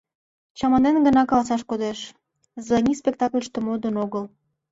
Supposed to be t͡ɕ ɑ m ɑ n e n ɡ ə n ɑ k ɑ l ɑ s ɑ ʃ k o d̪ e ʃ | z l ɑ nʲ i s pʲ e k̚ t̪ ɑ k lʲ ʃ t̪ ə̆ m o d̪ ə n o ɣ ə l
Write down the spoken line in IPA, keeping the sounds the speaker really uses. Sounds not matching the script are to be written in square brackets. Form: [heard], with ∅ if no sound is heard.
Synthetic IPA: t͡ɕ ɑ m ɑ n e n ɡ ə n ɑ k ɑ l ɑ s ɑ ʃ k o d̪ e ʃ | z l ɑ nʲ i s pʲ e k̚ t̪ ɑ k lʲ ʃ t̪ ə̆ m o d̪ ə n o ɣ ə l